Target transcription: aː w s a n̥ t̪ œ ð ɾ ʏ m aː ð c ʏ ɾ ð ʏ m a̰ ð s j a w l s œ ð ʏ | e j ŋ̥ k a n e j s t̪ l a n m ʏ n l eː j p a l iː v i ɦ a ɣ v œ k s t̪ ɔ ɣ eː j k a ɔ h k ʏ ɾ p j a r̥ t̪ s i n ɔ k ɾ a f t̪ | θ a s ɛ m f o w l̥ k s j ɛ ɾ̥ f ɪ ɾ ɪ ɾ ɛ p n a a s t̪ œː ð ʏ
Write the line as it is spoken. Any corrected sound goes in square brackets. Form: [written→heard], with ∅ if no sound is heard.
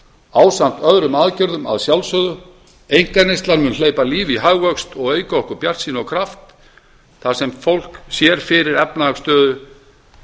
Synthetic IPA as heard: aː w s a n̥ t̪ œ ð ɾ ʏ m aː ð c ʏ ɾ ð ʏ m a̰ ð s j a w l s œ ð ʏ | e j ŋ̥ k a n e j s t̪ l a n m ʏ n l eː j p a l iː v i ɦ a ɣ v œ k s t̪ ɔ ɣ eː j k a ɔ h k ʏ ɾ p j a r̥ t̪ s i n ɔ [k→kʰ] ɾ a f t̪ | θ a s ɛ m f o w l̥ k s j ɛ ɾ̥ f ɪ ɾ ɪ ɾ ɛ p n a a s t̪ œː ð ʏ